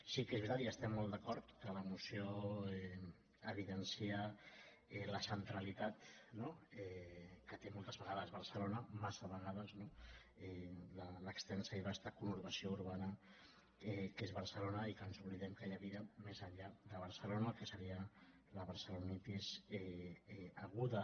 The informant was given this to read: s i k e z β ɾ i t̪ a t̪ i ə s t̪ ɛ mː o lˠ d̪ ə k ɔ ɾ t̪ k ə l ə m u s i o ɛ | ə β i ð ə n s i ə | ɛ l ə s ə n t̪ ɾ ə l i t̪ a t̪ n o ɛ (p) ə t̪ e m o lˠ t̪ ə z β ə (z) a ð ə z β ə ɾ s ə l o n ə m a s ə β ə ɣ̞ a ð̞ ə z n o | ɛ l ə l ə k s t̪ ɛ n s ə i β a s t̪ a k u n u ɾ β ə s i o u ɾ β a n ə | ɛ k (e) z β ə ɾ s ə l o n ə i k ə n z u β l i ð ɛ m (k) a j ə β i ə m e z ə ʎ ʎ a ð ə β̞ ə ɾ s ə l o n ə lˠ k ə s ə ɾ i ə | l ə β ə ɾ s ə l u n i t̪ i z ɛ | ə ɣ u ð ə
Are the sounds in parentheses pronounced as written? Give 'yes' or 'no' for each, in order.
no, no, yes, yes

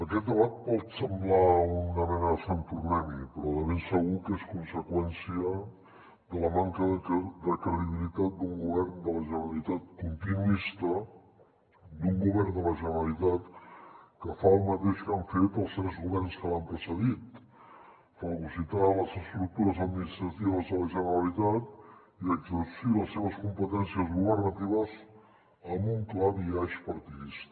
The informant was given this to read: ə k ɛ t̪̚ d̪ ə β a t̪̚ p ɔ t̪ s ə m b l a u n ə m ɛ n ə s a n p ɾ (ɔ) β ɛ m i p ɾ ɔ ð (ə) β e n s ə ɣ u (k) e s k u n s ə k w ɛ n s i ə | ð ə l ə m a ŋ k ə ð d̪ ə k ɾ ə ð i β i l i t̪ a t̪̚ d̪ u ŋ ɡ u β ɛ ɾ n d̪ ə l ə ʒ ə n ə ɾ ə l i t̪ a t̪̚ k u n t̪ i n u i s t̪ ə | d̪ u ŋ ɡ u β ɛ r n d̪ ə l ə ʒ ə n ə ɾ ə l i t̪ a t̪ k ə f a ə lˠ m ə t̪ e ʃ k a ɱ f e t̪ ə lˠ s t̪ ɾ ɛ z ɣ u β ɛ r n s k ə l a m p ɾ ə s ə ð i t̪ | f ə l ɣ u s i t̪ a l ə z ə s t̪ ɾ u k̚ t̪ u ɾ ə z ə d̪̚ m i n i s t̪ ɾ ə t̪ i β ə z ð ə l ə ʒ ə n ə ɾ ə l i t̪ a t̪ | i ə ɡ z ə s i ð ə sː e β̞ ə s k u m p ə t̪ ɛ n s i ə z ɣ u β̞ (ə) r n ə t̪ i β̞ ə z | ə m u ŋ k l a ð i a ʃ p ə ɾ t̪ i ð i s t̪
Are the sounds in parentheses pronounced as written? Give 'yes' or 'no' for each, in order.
no, yes, yes, yes

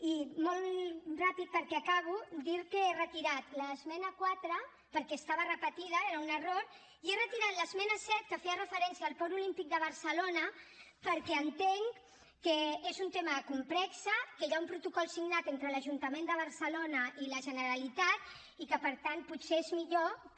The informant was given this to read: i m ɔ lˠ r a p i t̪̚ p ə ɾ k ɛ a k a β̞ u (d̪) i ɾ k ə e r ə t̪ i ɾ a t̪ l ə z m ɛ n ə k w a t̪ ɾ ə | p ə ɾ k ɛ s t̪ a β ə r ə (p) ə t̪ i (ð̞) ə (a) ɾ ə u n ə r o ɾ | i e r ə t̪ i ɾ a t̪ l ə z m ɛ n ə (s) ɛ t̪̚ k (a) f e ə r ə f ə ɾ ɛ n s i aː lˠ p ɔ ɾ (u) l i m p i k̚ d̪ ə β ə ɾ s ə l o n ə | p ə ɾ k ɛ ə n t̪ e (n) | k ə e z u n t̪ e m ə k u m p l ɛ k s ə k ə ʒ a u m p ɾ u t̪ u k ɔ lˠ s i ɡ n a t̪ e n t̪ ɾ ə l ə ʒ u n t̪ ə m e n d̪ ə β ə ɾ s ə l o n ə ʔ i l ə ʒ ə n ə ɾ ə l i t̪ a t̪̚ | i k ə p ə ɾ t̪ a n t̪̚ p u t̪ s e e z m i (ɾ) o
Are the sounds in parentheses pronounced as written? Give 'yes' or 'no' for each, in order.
yes, yes, yes, no, yes, no, yes, no, no

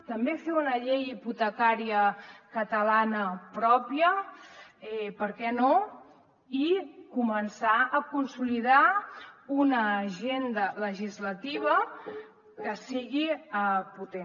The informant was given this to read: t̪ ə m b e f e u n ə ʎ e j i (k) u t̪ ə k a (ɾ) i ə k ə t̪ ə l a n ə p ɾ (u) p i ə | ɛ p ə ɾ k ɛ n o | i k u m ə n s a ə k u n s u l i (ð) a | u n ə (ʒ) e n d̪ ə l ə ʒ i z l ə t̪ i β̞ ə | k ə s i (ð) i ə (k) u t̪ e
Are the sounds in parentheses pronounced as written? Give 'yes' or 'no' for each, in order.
no, yes, no, yes, yes, no, no

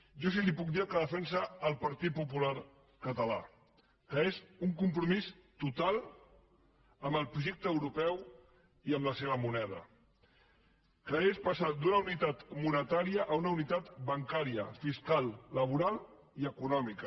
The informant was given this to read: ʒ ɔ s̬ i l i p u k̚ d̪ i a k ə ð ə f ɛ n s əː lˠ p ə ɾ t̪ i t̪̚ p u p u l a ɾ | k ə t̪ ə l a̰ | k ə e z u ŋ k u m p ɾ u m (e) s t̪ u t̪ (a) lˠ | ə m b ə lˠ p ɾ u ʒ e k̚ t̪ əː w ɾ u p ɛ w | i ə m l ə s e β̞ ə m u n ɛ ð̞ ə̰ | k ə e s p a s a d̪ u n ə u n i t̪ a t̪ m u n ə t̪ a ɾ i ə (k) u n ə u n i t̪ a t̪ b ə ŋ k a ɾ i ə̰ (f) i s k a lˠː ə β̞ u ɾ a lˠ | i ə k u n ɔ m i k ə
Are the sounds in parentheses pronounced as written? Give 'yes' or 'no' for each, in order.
no, yes, no, yes

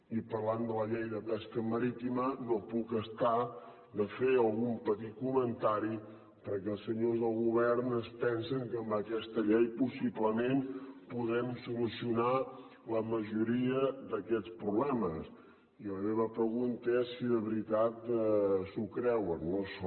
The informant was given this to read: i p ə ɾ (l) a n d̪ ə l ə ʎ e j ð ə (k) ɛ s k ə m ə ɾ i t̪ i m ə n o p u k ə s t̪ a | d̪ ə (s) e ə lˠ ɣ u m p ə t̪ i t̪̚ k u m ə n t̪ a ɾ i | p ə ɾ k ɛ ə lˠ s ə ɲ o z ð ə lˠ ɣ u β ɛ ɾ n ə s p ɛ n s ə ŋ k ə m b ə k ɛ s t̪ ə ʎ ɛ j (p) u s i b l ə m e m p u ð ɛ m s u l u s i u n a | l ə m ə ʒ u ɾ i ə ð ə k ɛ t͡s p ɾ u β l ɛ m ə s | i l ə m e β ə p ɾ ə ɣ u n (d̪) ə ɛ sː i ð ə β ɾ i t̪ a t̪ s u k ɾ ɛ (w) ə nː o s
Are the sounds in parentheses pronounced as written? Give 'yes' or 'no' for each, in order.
yes, no, no, yes, no, yes

